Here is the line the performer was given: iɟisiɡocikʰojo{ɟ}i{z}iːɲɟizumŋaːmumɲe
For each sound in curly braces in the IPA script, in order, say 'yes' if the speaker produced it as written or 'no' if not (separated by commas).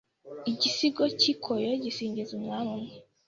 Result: yes, no